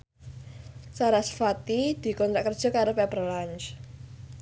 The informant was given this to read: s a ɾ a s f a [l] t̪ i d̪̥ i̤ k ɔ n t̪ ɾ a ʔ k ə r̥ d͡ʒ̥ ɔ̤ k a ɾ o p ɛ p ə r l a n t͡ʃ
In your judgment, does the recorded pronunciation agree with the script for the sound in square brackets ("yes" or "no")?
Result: no